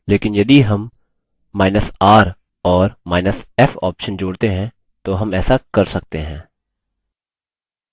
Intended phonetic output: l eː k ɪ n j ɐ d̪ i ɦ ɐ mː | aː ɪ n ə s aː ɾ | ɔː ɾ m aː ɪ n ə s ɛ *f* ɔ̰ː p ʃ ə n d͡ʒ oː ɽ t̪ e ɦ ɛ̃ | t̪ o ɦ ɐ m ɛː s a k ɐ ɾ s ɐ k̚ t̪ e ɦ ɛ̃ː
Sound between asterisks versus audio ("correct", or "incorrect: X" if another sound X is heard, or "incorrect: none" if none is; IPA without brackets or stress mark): correct